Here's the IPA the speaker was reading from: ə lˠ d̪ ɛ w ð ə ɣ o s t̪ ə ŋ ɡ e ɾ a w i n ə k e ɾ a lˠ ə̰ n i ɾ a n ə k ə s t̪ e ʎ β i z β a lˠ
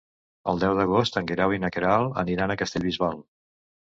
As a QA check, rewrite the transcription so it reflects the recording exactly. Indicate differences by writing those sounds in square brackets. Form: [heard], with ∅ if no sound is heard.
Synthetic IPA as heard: ə lˠ d̪ ɛ w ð ə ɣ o s t̪ ə ŋ ɡ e ɾ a w i n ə k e ɾ a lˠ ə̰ n i ɾ a n ə k ə s t̪ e ʎ β i z β a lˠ